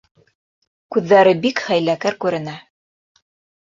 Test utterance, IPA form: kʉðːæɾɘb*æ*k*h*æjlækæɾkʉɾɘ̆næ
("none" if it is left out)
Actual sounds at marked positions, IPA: i, χ

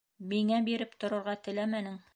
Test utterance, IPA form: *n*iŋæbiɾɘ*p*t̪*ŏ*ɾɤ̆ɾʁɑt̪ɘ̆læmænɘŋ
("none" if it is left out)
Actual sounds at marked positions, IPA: m, p, ŏ

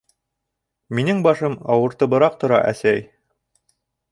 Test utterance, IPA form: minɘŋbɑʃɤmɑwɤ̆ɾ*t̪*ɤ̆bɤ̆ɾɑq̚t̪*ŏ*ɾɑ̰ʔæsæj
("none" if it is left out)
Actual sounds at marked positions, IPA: t̪, ŏ

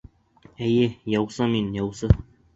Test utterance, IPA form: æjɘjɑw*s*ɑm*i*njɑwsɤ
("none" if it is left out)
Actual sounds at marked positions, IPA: s, i

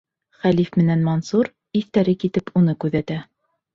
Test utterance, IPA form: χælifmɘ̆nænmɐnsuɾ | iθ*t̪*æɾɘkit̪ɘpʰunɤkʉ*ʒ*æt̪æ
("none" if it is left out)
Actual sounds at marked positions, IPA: t̪, ð

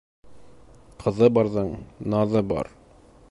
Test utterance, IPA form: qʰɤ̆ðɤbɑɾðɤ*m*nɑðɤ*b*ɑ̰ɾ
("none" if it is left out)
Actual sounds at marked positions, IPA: ɴ, b

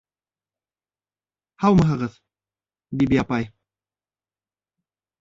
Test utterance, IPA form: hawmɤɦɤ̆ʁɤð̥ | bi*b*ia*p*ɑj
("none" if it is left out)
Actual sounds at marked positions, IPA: b, p

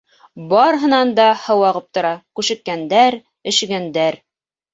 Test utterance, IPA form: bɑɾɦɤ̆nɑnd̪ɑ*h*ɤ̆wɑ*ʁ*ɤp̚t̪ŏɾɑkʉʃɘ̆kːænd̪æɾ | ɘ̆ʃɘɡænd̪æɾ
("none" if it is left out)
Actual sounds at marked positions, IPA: h, ʁ

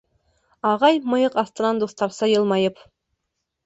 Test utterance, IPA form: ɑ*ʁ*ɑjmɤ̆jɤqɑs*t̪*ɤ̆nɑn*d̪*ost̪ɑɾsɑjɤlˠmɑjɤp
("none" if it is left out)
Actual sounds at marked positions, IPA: ʁ, t̪, d̪

